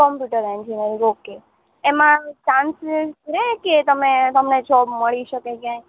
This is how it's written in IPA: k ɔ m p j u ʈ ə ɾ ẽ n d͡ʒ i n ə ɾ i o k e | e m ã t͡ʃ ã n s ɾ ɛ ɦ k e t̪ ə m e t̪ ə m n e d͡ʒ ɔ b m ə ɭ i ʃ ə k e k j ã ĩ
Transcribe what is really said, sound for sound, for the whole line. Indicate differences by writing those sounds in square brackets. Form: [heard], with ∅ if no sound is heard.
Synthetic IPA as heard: k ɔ m p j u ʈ ə ɾ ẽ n d͡ʒ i n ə ɾ i o k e | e m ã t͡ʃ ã n s ɾ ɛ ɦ k e t̪ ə m e t̪ ə m n e d͡ʒ ɔ b m ə ɭ i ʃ ə k e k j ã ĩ